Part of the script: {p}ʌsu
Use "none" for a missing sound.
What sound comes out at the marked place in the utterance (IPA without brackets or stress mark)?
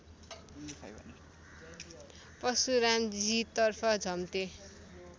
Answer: p